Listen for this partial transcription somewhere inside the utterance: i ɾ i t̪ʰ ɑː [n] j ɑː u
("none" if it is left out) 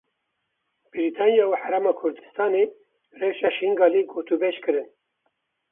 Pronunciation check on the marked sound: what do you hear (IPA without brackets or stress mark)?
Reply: n